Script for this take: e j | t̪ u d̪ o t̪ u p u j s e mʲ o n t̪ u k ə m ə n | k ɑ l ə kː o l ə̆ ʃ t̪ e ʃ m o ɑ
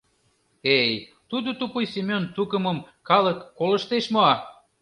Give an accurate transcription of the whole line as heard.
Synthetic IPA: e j | t̪ u d̪ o t̪ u p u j s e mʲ o n t̪ u k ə m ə m | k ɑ l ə kː o l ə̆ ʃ t̪ e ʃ m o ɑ

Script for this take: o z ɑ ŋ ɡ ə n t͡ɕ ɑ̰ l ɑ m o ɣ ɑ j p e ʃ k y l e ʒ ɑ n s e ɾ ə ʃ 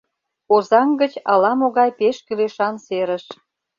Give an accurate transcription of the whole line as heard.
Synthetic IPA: o z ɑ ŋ ɡ ə t͡ɕ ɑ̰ l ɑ m o ɣ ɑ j p e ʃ k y l e ʃ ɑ n s e ɾ ə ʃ

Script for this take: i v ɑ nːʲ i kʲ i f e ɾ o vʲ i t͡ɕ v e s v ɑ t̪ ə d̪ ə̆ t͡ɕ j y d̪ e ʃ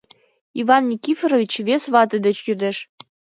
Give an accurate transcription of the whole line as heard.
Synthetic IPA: i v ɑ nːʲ i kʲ i f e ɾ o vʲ i t͡ɕ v e s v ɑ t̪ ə d̪ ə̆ t͡ɕ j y d̪ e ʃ

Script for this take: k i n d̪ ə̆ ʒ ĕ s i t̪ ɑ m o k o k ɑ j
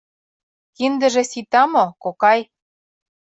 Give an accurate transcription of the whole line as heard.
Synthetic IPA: k i n d̪ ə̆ ʒ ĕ s i t̪ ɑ m o k o k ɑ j

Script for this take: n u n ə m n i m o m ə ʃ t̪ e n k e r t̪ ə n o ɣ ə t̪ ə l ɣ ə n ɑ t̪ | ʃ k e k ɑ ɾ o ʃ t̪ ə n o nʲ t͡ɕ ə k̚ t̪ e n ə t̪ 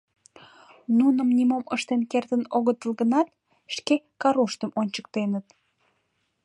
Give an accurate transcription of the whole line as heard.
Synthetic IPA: n u n ə m n i m o m ə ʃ t̪ e n k e r t̪ ə n o ɣ ə t̪ ə l ɣ ə n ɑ t̪ | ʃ k e k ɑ ɾ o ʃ t̪ ə m o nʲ t͡ɕ ə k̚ t̪ e n ə t̪

